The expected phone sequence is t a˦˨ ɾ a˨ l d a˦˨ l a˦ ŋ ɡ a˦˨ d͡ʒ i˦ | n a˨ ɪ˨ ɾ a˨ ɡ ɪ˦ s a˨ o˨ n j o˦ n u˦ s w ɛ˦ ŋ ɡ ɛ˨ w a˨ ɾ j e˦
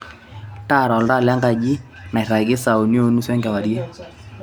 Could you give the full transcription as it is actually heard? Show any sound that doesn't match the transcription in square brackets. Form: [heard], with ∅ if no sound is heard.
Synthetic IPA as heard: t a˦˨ ɾ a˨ l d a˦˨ l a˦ ŋ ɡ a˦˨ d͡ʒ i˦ | n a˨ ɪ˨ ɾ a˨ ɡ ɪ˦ s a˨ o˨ n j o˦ n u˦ s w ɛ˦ ŋ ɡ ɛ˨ w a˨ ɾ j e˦